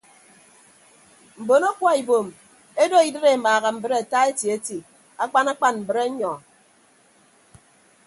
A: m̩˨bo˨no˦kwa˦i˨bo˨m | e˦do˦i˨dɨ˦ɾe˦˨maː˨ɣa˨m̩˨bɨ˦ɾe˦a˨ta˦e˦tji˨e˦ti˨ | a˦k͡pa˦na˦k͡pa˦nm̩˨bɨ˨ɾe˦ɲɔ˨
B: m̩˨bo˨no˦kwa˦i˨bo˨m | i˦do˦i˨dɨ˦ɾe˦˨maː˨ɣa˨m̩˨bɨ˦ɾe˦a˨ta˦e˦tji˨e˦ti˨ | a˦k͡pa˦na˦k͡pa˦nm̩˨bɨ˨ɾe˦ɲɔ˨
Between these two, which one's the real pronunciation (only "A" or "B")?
A